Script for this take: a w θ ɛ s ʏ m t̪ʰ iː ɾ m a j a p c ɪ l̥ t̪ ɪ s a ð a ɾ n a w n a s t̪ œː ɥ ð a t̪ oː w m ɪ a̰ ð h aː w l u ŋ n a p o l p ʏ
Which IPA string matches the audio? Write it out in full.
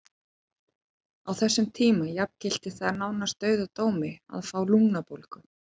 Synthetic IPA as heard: a w θ ɛ sː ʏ m t̪ʰ iː m a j a p c ɪ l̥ t̪ ɪ θ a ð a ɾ n a w n a s t̪ œː ɥ ð a t̪ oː w m ɪ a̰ ð f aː w l u ŋ n a p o l k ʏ